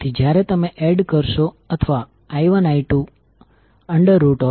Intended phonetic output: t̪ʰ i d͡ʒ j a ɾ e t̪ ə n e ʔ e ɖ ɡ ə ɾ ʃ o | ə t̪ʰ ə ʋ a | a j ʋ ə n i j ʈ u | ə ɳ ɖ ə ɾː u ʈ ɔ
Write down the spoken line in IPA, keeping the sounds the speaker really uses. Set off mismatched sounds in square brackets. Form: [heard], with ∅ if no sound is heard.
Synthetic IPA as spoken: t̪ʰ i d͡ʒ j a ɾ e t̪ ə [m] e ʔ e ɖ [k] ə ɾ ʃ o | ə t̪ʰ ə ʋ a | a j ʋ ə n [a] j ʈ u | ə ɳ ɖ ə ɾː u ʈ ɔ